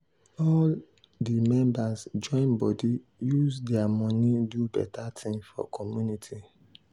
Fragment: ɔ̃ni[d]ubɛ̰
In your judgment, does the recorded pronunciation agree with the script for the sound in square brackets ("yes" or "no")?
yes